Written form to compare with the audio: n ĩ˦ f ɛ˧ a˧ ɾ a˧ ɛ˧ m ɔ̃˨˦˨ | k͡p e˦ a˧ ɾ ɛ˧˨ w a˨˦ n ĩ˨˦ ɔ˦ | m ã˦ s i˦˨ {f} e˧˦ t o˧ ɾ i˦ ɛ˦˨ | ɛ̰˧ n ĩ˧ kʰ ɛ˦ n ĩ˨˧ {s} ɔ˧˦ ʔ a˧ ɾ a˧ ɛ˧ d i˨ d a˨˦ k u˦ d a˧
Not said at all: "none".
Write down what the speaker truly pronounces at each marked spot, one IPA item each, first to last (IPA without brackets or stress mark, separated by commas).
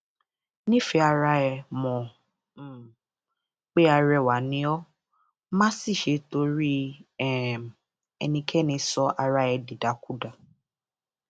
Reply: ʃ, s